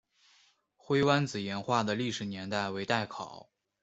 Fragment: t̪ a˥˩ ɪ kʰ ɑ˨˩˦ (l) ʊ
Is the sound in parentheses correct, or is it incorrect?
incorrect